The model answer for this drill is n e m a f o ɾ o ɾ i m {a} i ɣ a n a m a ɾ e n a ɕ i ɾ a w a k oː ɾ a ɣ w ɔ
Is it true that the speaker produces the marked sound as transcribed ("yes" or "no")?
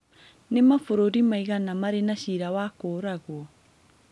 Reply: yes